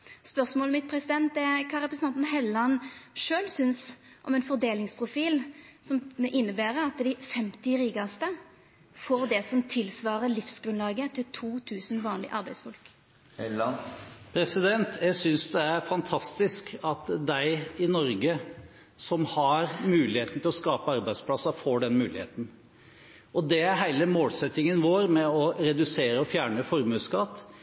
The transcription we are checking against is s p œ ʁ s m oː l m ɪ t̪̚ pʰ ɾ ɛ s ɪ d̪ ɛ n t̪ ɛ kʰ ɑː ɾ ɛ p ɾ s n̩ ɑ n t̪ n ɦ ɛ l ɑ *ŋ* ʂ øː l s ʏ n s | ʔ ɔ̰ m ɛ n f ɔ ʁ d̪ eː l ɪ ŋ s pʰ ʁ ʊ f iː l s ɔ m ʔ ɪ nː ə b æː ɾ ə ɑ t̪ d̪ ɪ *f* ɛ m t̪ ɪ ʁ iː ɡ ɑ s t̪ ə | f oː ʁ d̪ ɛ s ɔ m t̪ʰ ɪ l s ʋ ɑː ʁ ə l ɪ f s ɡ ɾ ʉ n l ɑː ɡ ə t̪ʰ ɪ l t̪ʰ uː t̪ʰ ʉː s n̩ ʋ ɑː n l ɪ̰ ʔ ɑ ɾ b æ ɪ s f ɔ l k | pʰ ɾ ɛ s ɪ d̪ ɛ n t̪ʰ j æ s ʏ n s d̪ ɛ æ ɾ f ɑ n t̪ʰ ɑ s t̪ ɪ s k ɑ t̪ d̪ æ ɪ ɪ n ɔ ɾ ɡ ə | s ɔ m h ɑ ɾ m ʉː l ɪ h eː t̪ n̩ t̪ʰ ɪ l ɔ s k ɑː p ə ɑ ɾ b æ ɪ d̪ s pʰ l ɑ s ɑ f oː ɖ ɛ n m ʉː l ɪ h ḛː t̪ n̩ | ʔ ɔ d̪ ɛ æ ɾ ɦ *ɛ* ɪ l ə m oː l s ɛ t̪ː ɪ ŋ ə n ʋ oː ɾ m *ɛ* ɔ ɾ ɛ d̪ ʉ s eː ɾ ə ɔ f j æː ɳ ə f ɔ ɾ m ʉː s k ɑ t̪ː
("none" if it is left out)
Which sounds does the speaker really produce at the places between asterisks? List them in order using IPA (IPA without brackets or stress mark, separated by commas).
n, f, æ, ɛ